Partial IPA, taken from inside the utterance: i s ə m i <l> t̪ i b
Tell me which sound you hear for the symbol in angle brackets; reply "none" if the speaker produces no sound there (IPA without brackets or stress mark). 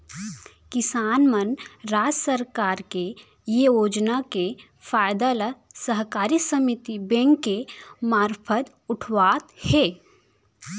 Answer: none